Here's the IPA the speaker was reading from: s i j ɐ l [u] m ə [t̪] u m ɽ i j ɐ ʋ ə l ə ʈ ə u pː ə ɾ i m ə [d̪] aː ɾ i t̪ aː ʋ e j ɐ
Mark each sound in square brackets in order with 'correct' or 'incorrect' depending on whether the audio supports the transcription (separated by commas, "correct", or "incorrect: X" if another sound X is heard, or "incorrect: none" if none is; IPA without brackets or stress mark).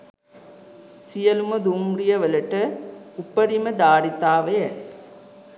correct, incorrect: d̪, correct